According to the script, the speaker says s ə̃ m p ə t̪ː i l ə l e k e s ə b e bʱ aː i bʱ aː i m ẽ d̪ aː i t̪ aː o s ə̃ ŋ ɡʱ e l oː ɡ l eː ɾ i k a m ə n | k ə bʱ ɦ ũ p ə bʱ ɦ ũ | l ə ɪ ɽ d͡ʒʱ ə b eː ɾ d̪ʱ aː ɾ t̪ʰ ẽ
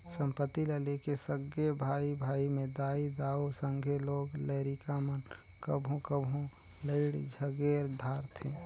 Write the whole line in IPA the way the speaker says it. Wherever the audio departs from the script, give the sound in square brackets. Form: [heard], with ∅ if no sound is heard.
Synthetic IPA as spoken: s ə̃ m p ə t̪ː i l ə l e k e s ə [ɡ] e bʱ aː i bʱ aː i m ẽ d̪ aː i [d̪] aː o s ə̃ ŋ ɡʱ e l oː ɡ l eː ɾ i k a m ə n | k ə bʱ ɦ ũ [k] ə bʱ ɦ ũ | l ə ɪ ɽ d͡ʒʱ ə [ɡ] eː ɾ d̪ʱ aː ɾ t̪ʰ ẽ